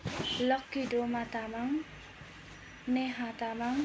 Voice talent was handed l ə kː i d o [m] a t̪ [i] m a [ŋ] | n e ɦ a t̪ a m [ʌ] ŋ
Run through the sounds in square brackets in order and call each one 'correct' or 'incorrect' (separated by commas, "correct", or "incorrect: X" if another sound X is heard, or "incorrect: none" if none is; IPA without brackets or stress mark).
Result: correct, incorrect: a, correct, incorrect: a